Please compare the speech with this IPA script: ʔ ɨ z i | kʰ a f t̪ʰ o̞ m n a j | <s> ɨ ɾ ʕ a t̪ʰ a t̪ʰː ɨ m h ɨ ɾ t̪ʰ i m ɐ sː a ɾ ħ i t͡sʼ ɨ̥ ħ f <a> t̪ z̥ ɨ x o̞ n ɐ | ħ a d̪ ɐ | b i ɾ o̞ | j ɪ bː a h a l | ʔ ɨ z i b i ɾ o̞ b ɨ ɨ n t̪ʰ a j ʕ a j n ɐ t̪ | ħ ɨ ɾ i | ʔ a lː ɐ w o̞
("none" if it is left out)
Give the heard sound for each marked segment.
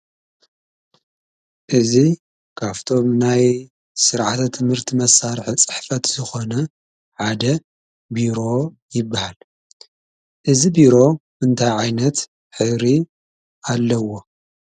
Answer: s, ɐ

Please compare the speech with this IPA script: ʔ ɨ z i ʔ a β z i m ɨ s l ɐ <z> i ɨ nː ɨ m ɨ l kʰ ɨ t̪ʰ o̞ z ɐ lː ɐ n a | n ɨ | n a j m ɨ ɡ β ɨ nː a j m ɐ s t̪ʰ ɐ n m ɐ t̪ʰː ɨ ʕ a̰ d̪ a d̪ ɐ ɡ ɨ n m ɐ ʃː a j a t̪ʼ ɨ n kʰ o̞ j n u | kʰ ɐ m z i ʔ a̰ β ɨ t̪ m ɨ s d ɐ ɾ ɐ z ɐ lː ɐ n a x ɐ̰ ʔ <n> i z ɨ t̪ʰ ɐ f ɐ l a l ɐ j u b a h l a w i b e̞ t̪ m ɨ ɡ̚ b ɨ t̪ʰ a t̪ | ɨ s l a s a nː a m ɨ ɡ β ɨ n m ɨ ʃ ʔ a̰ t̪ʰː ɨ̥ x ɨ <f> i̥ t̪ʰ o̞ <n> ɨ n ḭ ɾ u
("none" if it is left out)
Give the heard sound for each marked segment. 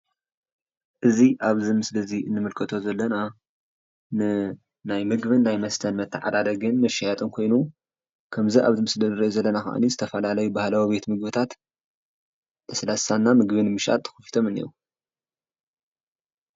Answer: z, n, f, m

